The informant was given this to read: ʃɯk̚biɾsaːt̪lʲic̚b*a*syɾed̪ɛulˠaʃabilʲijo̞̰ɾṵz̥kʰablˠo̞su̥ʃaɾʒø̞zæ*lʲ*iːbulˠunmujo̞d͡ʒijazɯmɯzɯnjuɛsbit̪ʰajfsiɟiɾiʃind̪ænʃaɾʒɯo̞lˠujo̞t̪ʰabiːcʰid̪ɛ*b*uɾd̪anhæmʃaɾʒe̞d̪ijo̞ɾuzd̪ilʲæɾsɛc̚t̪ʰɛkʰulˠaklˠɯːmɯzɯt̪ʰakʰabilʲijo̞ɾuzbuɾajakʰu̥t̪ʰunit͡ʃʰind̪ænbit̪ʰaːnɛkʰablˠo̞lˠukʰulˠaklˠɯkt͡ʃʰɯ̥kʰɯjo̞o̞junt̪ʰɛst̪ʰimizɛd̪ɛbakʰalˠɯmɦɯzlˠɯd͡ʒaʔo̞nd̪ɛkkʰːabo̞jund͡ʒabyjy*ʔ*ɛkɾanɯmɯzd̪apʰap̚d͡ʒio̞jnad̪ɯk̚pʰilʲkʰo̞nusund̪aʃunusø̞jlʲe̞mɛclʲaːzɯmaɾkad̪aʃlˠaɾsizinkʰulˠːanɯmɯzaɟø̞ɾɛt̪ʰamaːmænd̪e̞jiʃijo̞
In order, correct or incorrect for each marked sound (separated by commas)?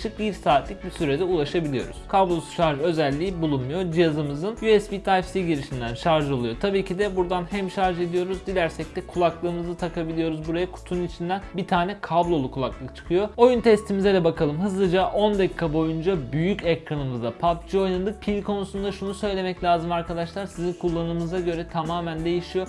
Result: incorrect, incorrect, correct, incorrect